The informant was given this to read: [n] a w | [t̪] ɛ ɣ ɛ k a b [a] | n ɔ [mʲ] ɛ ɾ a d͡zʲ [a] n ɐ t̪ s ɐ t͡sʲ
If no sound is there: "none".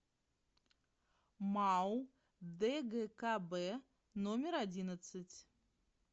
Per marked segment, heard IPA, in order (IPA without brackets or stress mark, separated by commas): m, d̪, ɛ, mʲ, i